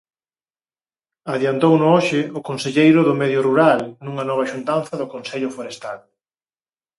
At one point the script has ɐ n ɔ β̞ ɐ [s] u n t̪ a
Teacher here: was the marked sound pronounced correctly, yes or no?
no